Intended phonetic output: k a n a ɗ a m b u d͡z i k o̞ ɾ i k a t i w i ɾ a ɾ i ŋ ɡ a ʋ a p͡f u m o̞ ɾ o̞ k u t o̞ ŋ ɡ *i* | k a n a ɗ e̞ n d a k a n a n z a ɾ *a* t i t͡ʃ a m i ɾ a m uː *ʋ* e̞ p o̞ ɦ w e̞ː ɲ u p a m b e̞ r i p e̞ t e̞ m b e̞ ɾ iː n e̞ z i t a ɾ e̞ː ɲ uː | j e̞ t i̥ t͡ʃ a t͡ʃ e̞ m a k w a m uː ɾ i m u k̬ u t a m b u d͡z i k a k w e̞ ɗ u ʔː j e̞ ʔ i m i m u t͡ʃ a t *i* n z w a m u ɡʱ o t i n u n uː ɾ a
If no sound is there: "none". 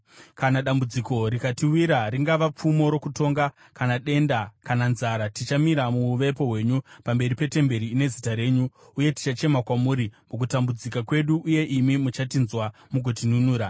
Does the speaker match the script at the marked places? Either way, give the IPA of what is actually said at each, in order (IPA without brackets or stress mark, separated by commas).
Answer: a, a, ʋ, i